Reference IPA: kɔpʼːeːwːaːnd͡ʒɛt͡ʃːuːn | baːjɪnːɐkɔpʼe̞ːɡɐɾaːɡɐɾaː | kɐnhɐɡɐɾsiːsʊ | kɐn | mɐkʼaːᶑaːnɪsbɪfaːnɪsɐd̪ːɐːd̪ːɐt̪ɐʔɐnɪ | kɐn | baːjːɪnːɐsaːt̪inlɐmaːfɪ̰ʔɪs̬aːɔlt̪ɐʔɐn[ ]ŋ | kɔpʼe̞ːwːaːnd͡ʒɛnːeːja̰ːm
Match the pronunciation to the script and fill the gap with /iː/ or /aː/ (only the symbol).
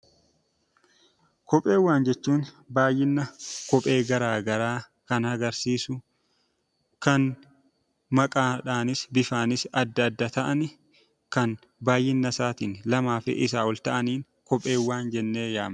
iː